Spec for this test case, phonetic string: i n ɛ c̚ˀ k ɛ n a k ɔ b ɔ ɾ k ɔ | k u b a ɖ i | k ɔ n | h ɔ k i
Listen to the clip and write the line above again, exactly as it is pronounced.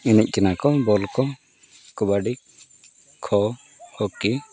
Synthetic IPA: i n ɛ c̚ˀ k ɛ n a k ɔ b ɔ l k ɔ | k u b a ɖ i | kʰ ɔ | h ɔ k i

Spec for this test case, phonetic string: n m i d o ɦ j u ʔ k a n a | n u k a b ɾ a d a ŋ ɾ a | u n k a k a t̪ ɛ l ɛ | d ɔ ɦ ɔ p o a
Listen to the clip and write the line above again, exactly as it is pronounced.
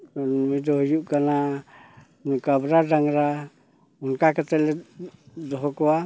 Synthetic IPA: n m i d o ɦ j u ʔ k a n a | n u k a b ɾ a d a ŋ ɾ a | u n k a k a t̪ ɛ l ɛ | d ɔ ɦ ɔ k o a

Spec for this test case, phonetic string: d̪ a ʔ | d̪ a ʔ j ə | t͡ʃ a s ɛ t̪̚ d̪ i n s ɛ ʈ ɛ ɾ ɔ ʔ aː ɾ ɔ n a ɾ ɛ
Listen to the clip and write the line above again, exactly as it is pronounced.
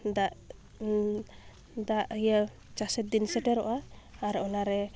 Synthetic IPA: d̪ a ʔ | d̪ a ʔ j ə | t͡ʃ a s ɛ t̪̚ d̪ i n s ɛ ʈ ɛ ɾ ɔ ʔ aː ɾ ɔ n a ɾ ɛ

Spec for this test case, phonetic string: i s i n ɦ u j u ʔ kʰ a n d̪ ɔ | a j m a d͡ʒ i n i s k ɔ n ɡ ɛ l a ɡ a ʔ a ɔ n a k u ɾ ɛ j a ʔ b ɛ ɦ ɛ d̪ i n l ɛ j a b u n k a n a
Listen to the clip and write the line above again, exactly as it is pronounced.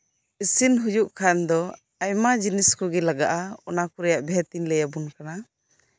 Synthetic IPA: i s i n ɦ u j u ʔ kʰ a n d̪ ɔ | a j m a d͡ʒ i n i s k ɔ ɡ ɛ l a ɡ a ʔ a ɔ n a k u ɾ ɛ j a ʔ b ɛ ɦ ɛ t̪ i n l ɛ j a b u n k a n a

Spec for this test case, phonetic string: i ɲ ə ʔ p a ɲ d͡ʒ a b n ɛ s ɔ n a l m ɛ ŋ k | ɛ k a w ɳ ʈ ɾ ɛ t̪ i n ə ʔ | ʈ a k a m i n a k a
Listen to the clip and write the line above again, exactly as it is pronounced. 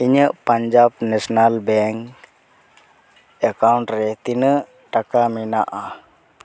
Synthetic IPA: i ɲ ə ʔ p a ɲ d͡ʒ a b n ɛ s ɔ n a l b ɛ ŋ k | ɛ k a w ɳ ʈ ɾ ɛ t̪ i n ə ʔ | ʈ a k a m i n a ʔ a

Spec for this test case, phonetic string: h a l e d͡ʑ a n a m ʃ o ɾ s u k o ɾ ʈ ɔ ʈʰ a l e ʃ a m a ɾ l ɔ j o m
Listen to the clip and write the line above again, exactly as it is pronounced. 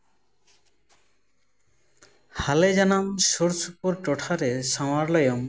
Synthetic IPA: h a l e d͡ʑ a n a m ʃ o ɾ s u p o ɾ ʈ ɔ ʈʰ a ɾ e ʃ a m a ɾ l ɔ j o m

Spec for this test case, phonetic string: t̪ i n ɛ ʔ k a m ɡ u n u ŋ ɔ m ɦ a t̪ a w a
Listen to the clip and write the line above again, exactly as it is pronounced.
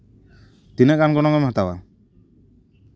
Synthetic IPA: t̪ i n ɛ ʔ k a n ɡ ɔ n ɔ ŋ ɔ m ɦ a t̪ a w a

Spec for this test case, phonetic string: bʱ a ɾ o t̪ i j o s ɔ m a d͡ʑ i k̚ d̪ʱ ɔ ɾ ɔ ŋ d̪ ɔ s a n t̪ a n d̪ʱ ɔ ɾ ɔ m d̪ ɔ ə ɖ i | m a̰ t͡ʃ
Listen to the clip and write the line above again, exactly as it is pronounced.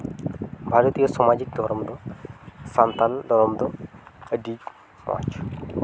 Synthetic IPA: bʱ a ɾ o t̪ i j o s ɔ m a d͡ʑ i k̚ d̪ʱ ɔ ɾ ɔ m d̪ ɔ s a n t̪ a n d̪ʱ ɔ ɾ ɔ m d̪ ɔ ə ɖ i | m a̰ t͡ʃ

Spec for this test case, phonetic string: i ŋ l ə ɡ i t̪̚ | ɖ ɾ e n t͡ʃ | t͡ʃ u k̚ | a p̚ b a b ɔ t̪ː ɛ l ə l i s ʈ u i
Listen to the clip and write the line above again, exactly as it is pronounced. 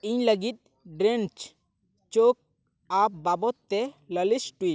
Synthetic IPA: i ɲ l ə ɡ i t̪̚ | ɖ ɾ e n t͡ʃ | t͡ʃ o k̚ | a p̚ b a b ɔ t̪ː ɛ l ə l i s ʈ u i

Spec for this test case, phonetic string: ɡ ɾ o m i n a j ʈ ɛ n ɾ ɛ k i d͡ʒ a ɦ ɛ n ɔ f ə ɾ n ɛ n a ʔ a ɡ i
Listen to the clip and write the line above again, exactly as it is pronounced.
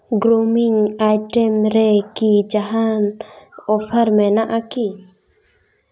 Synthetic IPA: ɡ ɾ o m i ŋ a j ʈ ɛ m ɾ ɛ k i d͡ʒ a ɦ a n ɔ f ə ɾ m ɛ n a ʔ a k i

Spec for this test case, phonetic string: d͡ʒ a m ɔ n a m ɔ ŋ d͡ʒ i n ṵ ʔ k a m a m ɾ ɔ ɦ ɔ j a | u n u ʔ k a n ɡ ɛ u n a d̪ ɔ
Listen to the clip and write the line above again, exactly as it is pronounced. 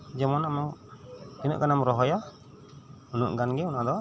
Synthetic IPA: d͡ʒ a m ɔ n a m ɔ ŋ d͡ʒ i n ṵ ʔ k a n a m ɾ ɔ ɦ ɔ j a | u n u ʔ ɡ a n ɡ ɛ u n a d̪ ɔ

